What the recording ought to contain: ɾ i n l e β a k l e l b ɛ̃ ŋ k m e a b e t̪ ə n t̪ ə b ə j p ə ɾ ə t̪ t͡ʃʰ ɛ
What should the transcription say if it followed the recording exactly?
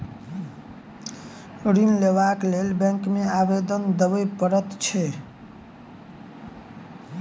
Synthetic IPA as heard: ɾ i n l e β a k l e l b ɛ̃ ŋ k m e a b e d̪ ə n d̪ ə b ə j p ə ɾ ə t̪ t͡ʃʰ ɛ